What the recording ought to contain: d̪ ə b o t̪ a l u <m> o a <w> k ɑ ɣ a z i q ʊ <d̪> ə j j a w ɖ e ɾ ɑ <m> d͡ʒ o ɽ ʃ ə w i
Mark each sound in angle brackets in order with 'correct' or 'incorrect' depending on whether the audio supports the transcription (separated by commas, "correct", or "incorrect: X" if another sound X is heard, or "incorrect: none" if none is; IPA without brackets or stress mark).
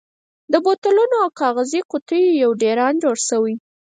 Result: incorrect: n, correct, incorrect: t̪, incorrect: n